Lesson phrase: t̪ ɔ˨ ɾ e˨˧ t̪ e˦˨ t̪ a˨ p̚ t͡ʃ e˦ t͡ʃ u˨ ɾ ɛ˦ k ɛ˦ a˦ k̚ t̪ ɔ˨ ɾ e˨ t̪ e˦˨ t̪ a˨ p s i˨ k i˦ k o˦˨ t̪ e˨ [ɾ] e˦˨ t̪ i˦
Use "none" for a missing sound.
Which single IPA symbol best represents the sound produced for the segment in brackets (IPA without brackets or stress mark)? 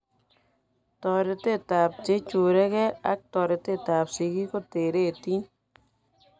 ɾ